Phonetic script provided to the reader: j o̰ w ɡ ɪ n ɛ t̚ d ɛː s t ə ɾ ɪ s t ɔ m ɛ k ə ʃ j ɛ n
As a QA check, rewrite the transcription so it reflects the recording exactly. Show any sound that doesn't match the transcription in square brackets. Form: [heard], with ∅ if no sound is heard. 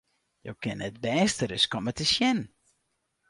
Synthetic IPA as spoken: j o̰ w [k] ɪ n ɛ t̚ [b] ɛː s t ə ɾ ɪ s [k] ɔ m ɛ [t] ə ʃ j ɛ n